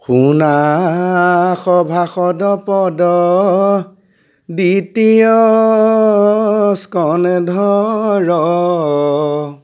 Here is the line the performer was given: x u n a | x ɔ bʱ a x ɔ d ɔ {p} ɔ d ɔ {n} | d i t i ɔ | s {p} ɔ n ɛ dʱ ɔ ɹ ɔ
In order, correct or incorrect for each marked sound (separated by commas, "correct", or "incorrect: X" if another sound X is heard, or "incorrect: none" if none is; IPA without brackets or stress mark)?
correct, incorrect: none, incorrect: k